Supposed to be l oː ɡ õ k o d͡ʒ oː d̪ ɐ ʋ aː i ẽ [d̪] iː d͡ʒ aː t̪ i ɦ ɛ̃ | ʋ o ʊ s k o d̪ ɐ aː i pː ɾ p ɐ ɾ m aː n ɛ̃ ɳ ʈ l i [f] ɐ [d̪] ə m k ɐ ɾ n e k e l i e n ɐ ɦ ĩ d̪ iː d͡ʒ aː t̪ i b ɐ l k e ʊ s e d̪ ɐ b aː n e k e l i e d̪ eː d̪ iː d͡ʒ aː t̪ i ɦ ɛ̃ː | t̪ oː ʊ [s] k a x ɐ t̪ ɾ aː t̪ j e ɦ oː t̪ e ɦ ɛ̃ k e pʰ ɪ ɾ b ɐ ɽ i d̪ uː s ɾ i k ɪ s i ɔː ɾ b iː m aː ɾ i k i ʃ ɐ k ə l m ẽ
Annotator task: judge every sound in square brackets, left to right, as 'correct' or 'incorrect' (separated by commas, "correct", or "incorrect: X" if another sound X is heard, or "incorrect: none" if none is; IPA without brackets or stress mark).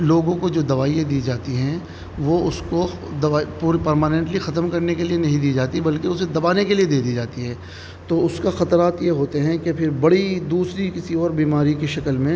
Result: correct, incorrect: x, incorrect: t̪, correct